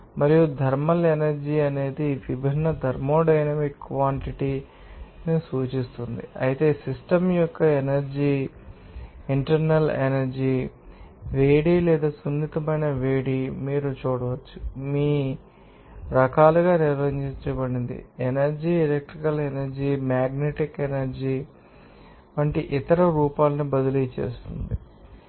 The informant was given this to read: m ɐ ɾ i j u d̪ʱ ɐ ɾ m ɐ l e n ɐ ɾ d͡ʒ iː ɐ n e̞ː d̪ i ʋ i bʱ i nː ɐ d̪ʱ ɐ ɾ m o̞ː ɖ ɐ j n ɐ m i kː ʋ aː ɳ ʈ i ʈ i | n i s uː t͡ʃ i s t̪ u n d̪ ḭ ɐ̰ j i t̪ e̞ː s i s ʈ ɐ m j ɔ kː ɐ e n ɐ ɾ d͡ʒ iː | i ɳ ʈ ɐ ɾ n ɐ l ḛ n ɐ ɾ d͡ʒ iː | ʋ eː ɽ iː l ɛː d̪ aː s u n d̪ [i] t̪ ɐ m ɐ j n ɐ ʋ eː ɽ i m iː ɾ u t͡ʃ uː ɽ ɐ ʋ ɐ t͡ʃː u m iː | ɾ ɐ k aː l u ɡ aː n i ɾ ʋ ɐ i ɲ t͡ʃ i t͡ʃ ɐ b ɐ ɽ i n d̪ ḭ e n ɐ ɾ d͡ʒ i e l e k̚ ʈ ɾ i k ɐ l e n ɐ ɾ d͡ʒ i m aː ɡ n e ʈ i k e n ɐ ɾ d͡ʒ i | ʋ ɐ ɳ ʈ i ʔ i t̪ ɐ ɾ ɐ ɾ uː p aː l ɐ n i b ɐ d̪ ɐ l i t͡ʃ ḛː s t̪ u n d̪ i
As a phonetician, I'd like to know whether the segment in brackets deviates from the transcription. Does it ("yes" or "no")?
no